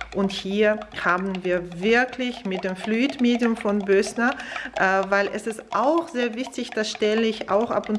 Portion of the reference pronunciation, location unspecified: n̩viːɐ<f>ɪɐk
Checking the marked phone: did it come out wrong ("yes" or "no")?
yes